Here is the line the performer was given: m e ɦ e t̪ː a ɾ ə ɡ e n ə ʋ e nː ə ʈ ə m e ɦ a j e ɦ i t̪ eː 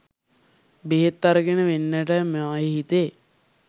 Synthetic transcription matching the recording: b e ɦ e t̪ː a ɾ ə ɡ e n ə ʋ e nː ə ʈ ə m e a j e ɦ i t̪ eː